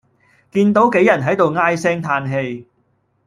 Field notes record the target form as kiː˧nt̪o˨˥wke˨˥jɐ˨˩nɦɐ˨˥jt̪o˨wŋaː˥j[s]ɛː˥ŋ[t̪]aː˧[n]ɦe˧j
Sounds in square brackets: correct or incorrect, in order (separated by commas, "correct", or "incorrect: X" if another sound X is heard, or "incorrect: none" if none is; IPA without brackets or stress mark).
correct, incorrect: t̪ʰ, correct